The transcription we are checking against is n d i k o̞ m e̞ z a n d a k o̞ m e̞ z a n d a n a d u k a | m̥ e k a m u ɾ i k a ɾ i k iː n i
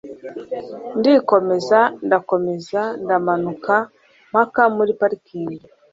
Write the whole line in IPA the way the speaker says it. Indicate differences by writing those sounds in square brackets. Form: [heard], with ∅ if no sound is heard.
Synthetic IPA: n d i k o̞ m e̞ z a n d a k o̞ m e̞ z a n d a [m] a [n] u k a | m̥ [a] k a m u ɾ i [p] a ɾ i k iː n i